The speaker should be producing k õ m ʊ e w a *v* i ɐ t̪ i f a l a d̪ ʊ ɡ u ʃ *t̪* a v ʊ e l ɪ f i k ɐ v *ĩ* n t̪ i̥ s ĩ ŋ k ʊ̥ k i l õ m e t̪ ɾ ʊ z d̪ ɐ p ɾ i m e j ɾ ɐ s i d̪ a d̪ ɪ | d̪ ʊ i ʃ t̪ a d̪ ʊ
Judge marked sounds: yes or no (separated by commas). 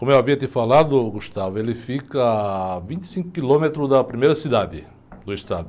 yes, yes, yes